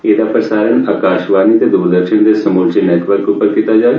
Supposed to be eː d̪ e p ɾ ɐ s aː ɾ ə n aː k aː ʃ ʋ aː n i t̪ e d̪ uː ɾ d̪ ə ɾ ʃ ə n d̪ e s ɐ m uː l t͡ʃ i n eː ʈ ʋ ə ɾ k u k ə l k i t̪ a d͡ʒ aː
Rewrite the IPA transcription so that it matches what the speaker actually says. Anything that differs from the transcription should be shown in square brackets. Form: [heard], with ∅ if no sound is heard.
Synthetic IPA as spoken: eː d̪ [a] p ɾ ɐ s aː ɾ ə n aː k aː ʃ ʋ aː n i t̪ e d̪ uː ɾ d̪ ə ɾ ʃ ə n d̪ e s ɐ m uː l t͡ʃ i n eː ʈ ʋ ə ɾ k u [p] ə [ɾ] k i t̪ a d͡ʒ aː